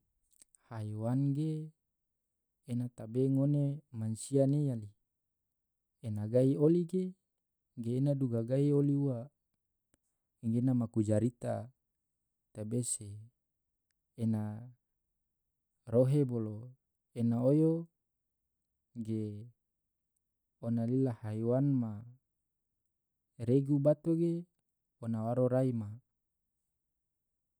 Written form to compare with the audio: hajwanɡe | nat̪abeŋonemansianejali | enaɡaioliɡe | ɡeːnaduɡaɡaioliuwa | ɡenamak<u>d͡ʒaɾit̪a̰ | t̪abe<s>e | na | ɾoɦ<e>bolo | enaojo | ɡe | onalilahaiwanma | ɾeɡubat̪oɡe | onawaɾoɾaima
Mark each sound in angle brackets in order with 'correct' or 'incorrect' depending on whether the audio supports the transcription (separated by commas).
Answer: correct, correct, correct